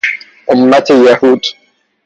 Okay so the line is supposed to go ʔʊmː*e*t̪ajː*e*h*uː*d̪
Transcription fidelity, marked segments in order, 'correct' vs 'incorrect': incorrect: a, incorrect: a, correct

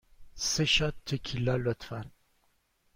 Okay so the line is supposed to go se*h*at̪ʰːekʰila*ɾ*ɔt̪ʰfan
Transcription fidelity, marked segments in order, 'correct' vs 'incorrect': incorrect: ʃ, incorrect: l

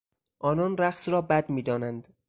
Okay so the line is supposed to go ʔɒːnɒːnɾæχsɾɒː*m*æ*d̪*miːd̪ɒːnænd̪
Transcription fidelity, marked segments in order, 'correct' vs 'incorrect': incorrect: b, correct

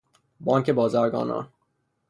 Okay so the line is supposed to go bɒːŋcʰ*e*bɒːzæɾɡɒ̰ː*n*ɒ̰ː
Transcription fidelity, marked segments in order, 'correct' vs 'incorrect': correct, correct

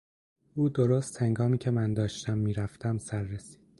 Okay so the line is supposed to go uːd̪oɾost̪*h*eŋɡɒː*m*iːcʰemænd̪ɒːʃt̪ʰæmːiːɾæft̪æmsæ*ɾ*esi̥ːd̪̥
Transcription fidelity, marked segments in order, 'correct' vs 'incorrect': correct, correct, incorrect: ɾː

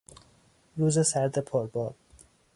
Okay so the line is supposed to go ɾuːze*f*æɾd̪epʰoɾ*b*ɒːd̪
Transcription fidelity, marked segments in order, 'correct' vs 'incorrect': incorrect: s, correct

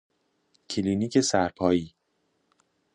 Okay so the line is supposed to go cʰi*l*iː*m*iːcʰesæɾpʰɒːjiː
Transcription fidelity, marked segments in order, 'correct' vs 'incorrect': correct, incorrect: n

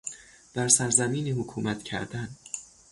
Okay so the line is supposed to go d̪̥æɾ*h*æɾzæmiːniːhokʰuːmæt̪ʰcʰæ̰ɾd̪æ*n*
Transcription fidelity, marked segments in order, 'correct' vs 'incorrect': incorrect: s, correct

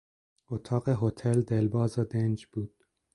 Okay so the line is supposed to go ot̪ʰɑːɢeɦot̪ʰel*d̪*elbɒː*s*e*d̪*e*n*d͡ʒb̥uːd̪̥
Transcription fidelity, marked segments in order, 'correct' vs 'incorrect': correct, incorrect: z, correct, correct

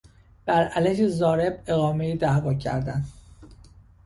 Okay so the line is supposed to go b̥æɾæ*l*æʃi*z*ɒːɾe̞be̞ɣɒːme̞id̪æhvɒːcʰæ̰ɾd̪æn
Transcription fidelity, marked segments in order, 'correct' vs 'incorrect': correct, correct

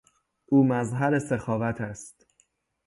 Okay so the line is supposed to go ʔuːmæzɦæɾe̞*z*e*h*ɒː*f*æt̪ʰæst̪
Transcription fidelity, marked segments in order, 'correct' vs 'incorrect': incorrect: s, incorrect: x, incorrect: v

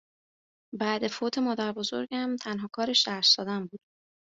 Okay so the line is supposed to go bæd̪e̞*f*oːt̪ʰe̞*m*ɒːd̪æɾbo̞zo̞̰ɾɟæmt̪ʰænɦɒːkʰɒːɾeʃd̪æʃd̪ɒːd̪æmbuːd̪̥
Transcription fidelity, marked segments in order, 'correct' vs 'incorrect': correct, correct

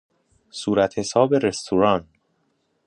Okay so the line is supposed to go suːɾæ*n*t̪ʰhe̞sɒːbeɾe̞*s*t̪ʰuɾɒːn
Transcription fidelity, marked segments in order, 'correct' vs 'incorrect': incorrect: none, correct

